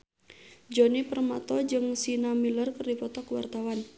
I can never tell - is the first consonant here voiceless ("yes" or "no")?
no